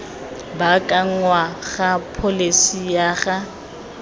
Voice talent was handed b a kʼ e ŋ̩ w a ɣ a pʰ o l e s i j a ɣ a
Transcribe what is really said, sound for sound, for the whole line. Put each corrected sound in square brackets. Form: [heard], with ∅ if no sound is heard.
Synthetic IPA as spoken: b a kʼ [a] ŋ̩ w a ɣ a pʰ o l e s i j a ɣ a